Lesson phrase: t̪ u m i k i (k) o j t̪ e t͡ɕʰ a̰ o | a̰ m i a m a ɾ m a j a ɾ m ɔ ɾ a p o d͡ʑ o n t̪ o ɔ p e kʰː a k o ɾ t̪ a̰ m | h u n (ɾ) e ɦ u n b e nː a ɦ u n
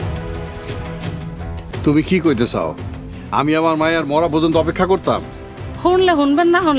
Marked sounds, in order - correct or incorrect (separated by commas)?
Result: correct, incorrect